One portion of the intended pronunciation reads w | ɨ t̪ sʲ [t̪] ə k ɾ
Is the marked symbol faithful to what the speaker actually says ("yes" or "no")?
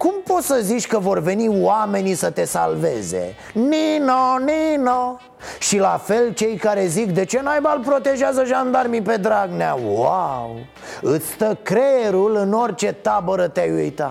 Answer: yes